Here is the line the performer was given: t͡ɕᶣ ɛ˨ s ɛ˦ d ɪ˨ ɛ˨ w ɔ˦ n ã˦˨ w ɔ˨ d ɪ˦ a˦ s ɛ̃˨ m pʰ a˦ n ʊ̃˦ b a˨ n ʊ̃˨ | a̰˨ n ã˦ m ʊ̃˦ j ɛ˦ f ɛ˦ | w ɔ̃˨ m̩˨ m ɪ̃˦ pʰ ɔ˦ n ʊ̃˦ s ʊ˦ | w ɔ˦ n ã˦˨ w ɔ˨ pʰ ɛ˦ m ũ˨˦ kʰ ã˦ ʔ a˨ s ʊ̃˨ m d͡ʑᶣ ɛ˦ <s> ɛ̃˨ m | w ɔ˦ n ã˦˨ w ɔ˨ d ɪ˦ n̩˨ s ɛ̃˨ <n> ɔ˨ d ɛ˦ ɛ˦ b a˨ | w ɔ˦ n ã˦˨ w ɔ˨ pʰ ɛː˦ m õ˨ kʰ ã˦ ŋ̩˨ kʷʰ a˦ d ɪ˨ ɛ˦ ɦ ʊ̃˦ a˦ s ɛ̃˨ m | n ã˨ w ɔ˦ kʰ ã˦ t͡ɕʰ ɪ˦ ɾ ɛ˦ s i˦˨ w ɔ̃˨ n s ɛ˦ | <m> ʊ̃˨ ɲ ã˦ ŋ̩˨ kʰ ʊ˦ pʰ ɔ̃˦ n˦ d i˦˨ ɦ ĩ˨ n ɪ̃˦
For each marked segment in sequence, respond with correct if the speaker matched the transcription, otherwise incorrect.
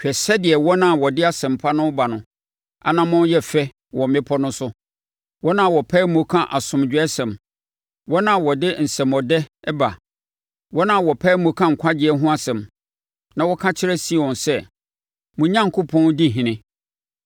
correct, incorrect: m, correct

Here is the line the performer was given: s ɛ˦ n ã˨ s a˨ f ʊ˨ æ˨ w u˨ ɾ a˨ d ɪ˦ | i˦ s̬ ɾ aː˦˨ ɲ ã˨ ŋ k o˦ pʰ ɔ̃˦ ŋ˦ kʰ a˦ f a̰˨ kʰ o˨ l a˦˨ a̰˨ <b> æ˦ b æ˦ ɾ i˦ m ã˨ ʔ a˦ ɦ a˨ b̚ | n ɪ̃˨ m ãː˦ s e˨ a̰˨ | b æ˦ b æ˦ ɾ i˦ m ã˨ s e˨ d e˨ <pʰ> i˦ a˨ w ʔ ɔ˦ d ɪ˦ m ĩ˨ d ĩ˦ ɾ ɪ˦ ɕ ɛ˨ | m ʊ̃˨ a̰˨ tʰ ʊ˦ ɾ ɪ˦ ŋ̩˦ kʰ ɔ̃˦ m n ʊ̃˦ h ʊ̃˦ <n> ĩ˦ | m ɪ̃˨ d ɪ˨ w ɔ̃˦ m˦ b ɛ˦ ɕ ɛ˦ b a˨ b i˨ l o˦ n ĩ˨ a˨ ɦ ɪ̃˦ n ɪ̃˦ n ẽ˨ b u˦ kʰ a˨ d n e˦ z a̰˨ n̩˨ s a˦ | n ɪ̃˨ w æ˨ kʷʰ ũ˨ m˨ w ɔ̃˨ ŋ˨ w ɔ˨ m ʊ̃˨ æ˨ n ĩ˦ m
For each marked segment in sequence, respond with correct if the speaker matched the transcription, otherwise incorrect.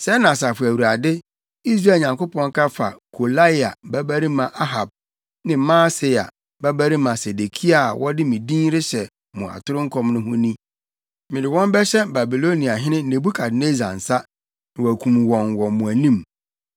correct, incorrect: kʰ, correct

